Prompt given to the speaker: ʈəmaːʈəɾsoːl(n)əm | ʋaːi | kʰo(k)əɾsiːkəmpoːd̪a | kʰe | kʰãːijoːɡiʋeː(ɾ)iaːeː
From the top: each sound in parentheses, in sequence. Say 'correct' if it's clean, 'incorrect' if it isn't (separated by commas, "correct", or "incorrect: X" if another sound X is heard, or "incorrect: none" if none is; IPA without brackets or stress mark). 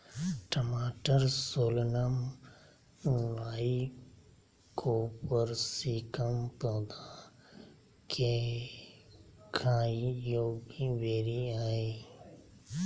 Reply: correct, incorrect: p, correct